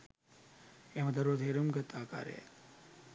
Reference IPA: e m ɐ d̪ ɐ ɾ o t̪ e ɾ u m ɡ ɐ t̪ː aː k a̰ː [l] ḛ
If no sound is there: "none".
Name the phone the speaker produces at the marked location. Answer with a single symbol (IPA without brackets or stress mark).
ɾ